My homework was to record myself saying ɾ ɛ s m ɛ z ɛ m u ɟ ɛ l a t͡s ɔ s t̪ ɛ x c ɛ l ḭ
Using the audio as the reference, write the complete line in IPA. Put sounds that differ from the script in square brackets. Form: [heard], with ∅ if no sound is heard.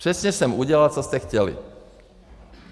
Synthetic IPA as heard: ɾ ɛ s [ɲ] ɛ [s] ɛ m u ɟ ɛ l a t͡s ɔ s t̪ ɛ x c ɛ l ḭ